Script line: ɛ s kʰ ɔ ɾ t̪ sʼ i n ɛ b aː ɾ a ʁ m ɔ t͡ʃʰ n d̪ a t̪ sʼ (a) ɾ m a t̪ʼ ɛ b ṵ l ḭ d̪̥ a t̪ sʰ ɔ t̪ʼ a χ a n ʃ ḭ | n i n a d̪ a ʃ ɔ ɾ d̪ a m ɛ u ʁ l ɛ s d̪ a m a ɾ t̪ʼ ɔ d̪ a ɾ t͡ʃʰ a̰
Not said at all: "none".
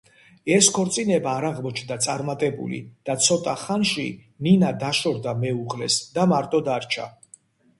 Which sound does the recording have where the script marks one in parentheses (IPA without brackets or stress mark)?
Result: a